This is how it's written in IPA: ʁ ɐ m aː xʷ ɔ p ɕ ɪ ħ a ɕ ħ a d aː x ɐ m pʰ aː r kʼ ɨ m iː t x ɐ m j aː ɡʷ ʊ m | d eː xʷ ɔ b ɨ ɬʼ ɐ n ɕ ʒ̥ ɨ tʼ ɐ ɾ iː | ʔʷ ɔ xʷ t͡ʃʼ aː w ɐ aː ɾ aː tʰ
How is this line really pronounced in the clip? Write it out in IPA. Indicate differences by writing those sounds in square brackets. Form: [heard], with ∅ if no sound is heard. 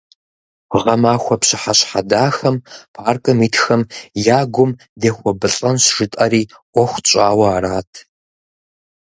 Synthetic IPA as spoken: ʁ ɐ m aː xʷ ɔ p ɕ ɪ ħ a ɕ ħ a d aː x ɐ m pʰ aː r kʼ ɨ m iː t x ɐ m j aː ɡʷ ʊ m | d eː xʷ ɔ b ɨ ɬʼ ɐ n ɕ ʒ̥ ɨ tʼ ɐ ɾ iː | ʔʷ ɔ xʷ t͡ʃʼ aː w ɐ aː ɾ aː tʰ